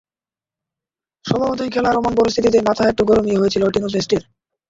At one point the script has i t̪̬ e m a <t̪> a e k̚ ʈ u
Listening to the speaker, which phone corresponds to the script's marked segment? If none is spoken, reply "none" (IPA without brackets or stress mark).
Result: t̪ʰ